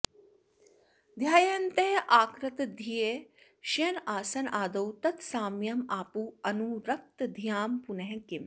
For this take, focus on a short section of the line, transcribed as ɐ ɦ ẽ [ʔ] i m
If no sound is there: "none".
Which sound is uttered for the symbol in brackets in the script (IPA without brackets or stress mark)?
k